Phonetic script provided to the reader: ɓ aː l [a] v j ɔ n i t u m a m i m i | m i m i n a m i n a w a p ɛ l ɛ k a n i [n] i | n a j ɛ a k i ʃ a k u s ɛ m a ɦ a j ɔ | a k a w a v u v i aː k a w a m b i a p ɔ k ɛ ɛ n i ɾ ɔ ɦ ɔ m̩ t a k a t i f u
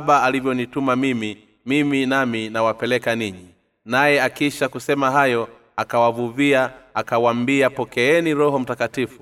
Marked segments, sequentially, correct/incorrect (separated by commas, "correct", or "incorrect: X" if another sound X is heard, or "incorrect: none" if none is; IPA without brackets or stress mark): incorrect: i, incorrect: ɲ